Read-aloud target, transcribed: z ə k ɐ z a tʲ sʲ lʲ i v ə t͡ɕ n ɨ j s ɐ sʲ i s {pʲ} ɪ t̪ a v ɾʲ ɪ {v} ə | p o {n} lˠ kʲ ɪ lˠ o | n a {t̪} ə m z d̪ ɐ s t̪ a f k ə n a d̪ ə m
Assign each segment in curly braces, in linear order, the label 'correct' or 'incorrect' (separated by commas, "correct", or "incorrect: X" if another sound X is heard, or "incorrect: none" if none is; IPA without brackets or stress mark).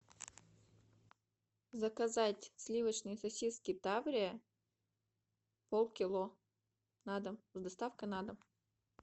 incorrect: kʲ, incorrect: none, incorrect: none, incorrect: d̪